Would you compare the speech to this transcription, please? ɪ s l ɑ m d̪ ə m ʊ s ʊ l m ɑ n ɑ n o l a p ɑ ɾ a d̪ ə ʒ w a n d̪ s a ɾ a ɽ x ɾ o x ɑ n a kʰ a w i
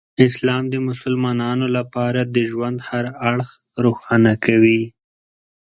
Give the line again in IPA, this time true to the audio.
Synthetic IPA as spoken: ɪ s l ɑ m d̪ ə m ʊ s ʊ l m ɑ n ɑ n o l a p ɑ ɾ a d̪ ə ʒ w a n d̪ h a ɾ a ɽ x ɾ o x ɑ n a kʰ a w i